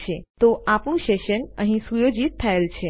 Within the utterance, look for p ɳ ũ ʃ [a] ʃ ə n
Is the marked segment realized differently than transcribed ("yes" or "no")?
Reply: yes